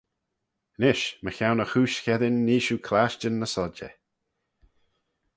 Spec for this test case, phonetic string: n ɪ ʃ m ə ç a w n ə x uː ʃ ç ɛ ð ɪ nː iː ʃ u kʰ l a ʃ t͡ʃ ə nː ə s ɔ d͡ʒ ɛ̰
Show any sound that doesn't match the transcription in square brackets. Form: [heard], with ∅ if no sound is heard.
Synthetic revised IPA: n ɪ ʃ m ə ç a w n ə x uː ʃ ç ɛ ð ɪ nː iː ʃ u kʰ l a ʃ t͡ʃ ə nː ə s ɔ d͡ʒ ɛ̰